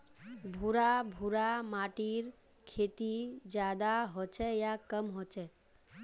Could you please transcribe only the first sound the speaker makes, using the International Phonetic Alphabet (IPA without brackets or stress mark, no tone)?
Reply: bʱ